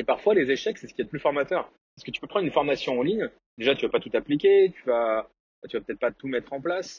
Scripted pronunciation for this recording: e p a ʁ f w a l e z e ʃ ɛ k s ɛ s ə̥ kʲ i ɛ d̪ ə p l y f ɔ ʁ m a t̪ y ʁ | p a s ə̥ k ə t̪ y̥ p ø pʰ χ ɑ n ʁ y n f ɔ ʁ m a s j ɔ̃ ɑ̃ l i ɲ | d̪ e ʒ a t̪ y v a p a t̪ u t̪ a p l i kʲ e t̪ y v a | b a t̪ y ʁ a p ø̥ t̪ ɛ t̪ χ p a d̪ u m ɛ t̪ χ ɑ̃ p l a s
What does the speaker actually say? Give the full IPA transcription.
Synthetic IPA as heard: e p a ʁ f w a l e z e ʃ ɛ k s ɛ s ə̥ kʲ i ɛ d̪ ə p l y f ɔ ʁ m a t̪ œ ʁ | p a s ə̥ k ə t̪ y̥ p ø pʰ χ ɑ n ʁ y n f ɔ ʁ m a s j ɔ̃ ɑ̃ l i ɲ | d̪ e ʒ a t̪ y v a p a t̪ u t̪ a p l i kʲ e t̪ y v a | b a t̪ y v a p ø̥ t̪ ɛ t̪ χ p a t̪ u m ɛ t̪ χ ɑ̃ p l a s